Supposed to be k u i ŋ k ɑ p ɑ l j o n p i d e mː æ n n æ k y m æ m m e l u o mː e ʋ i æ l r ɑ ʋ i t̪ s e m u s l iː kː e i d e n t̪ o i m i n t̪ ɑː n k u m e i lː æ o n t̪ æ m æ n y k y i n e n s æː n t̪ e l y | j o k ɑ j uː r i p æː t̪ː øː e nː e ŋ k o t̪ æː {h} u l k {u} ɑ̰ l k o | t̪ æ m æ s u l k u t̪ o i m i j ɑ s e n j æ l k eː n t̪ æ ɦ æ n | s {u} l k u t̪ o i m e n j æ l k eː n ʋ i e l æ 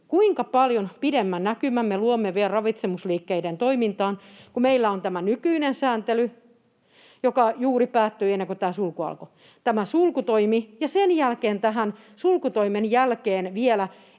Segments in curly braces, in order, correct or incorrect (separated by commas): incorrect, correct, correct